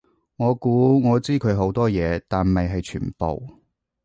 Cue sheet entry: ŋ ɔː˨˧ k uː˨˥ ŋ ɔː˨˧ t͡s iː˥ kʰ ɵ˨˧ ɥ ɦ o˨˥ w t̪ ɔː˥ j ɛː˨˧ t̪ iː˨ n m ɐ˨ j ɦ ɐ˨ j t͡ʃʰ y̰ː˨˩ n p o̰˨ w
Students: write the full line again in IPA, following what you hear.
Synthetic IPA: ŋ ɔː˨˧ k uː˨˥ ŋ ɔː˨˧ t͡s iː˥ kʰ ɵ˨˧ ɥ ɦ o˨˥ w t̪ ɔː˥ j ɛː˨˧ t̪ aː˨ n m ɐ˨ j ɦ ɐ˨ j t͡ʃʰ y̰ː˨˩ n p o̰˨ w